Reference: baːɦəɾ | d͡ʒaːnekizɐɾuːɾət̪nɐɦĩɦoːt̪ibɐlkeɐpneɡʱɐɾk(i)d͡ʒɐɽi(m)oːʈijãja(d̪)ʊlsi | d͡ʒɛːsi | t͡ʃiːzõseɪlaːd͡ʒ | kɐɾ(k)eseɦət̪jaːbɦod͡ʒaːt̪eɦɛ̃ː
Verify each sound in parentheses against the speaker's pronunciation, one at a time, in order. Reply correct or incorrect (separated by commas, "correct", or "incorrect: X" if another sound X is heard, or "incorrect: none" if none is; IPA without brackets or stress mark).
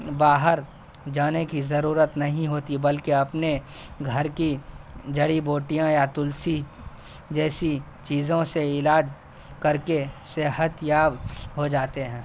correct, incorrect: b, incorrect: t̪, correct